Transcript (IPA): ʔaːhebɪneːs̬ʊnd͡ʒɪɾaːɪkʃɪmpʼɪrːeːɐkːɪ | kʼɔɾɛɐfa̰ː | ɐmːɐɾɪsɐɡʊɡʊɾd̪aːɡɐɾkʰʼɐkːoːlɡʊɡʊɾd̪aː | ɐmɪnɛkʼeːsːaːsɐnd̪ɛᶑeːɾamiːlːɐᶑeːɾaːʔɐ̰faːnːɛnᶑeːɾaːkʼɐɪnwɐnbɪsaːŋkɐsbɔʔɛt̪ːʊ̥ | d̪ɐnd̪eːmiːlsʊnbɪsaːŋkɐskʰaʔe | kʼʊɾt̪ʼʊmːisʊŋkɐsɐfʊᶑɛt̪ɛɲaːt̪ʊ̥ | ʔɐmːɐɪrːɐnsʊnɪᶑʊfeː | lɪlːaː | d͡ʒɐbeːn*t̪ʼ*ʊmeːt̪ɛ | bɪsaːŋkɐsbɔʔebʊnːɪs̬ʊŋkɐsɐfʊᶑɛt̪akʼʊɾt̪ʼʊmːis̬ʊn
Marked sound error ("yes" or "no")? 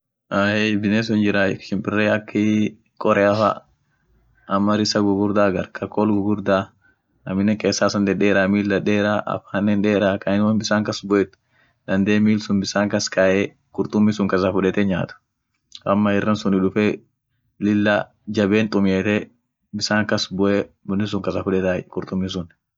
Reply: no